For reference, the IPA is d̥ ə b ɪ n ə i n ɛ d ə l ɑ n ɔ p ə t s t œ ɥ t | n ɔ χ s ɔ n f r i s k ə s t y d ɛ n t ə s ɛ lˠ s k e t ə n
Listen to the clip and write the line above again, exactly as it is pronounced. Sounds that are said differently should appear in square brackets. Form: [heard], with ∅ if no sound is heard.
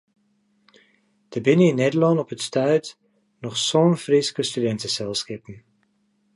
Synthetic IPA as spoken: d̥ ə b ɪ n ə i n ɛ d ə l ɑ n ɔ p ə t s t œ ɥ t | n ɔ χ s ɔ n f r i s k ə s t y d ɛ n t ə s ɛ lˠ s k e [p] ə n

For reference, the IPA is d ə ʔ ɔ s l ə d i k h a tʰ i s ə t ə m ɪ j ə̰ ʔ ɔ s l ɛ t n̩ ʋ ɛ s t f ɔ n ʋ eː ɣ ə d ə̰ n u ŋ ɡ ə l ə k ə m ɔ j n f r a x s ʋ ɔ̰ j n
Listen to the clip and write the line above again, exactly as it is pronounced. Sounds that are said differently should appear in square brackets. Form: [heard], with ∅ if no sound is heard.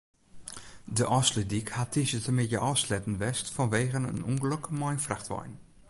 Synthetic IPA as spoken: d ə ʔ ɔ s l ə d i k h a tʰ i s ə t ə m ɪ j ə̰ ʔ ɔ s l ɛ t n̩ ʋ ɛ s t f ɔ n ʋ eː ɣ ə [n] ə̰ n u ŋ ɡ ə l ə k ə m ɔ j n f r a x [t] ʋ ɔ̰ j n

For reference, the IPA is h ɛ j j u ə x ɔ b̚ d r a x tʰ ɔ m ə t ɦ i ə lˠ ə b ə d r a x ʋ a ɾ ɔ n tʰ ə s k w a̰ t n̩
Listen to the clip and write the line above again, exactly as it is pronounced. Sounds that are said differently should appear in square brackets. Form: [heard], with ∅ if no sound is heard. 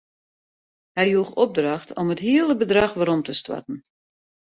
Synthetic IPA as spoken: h ɛ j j u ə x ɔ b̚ d r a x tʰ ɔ m ə t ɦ i ə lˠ ə b ə d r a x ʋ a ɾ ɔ [m] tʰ ə s [t] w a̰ t n̩

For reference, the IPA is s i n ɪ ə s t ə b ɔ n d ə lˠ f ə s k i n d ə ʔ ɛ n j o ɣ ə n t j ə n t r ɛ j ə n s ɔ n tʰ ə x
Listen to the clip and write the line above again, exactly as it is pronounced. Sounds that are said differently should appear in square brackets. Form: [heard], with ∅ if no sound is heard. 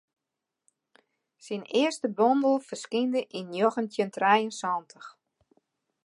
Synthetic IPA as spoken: s i n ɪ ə s t ə b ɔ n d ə lˠ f ə s k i n d ə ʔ [i] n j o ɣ ə n t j ə n t r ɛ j ə n s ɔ n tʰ ə x

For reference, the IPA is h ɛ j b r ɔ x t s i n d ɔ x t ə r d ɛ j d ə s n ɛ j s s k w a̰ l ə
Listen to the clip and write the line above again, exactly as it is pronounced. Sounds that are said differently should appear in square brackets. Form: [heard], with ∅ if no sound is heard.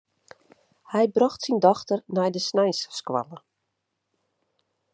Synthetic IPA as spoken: h ɛ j b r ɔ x t s i n d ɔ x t ə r [n] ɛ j d ə s n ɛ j s s k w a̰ l ə

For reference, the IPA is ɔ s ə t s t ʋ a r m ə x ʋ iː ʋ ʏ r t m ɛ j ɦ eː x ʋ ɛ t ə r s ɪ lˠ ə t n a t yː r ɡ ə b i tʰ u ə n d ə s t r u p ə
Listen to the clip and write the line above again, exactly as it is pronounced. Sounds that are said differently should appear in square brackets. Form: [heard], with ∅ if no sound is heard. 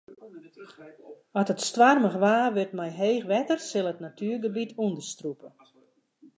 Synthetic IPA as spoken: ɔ [t] ə t s t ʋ a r m ə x ʋ [aː] ʋ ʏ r t m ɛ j ɦ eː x ʋ ɛ t ə r s ɪ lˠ ə t n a t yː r ɡ ə b i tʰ u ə n d ə s t r u p ə

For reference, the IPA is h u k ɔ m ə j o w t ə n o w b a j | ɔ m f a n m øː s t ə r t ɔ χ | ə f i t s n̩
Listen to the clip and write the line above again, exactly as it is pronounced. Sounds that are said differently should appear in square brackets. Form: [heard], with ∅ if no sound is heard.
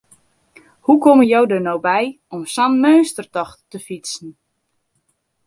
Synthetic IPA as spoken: h u k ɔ m ə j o w [d] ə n o w b [ɛ] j | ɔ m [s] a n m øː s t ə r t ɔ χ | ə f i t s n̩

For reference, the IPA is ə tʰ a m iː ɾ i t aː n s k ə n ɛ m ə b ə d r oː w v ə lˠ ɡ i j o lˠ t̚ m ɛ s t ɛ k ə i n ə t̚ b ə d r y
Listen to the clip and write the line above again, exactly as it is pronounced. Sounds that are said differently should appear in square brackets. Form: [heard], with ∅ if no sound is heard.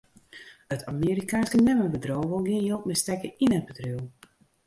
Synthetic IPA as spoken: ə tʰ a m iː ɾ i [k] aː n s k ə n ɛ m ə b ə d r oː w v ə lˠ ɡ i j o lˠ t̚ m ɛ s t ɛ k ə i n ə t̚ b ə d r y

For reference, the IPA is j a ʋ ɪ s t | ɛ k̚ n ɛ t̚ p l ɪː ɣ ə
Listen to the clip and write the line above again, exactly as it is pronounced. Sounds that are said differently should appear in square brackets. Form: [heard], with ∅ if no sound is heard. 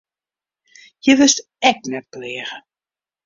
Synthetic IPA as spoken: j [ə] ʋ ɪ s t | ɛ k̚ n ɛ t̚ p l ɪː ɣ ə

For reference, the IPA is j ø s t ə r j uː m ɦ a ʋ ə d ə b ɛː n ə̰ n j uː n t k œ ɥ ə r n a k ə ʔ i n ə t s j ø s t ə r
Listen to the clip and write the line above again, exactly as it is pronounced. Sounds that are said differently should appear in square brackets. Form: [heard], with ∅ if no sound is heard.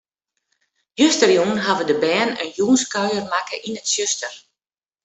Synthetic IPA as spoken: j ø s t ə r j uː [n] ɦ a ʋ ə d ə b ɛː n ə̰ n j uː n [s] k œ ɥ ə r [m] a k ə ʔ i n ə t s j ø s t ə r

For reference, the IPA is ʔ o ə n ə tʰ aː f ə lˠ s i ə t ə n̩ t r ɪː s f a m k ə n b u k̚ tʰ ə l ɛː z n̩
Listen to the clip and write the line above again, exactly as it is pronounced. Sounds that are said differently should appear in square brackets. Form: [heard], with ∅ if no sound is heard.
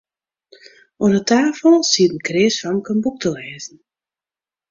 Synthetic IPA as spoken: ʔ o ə n ə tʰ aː f ə lˠ s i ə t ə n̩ [k] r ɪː s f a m k ə n b u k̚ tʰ ə l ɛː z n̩

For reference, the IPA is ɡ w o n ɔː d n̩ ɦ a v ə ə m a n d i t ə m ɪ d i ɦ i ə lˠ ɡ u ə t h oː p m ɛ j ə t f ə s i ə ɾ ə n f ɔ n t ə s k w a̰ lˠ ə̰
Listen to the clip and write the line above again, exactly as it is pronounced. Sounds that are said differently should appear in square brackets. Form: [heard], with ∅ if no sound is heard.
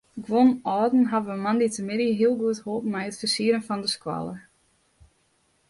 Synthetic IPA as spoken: ɡ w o n ɔː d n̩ ɦ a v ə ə m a n d i t ə m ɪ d i ɦ i ə lˠ ɡ u ə t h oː p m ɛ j ə t f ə s i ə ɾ ə n f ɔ n [d] ə s k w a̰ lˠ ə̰

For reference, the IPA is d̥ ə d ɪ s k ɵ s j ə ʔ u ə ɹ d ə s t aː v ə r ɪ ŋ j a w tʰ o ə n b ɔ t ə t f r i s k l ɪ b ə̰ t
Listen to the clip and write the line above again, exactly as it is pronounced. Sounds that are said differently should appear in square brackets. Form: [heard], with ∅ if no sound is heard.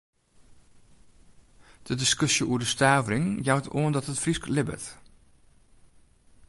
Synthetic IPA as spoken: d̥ ə d ɪ s k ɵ s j ə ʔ u ə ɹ d ə s t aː v ə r ɪ ŋ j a w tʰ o ə n [d] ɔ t ə t f r i s k l ɪ b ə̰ t

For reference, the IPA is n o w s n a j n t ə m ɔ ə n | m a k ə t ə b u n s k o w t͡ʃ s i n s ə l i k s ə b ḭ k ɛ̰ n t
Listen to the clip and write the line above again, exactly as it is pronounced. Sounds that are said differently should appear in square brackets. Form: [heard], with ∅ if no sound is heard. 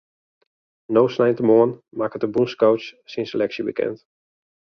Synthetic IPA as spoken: n o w s n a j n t ə m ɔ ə n | m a k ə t ə b u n s k o w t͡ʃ s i n s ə l [ɛ] k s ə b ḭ k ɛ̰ n t

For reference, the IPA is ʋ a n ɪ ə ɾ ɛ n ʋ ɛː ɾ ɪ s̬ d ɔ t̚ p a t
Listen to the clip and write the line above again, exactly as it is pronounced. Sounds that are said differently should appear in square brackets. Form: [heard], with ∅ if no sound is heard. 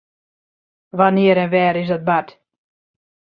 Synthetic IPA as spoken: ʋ a n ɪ ə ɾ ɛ n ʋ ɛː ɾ ɪ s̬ d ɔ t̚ [b] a t

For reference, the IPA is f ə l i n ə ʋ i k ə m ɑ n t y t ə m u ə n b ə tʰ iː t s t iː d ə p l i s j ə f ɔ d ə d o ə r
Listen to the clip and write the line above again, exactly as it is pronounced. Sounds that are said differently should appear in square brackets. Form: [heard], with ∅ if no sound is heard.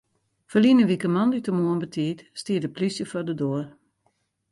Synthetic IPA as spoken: f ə l i n ə ʋ i k ə m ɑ n [d] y t ə m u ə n b ə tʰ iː t s t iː d ə p l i s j ə f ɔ d ə d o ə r

